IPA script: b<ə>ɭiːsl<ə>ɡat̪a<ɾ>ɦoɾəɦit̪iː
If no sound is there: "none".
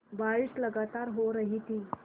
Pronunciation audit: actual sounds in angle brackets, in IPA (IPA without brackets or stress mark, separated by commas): a, ə, ɾ